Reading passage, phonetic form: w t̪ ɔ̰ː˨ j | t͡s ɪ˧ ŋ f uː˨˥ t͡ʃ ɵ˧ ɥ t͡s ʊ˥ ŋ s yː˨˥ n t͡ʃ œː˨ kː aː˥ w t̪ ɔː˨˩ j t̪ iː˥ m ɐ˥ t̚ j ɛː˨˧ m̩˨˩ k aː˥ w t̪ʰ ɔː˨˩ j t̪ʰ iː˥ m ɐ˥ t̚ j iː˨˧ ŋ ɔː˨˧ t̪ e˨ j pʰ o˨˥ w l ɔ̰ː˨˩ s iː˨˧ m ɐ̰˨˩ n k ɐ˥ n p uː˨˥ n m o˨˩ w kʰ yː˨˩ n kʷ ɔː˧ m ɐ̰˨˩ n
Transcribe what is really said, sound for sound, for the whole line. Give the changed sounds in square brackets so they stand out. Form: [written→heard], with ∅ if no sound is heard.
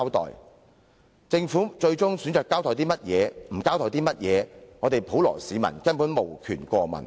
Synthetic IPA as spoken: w t̪ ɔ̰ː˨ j | t͡s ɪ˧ ŋ f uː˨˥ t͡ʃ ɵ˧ ɥ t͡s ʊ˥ ŋ s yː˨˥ n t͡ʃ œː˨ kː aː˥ w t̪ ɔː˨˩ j t̪ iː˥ m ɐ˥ t̚ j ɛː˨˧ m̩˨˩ k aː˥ w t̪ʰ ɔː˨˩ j [t̪ʰ→t̪] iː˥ m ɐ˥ t̚ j [iː˨˧→ɛː˨˧] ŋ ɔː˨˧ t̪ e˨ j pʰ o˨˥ w l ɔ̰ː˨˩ s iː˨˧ m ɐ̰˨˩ n k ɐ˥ n p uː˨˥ n m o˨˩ w kʰ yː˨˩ n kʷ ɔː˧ m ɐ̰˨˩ n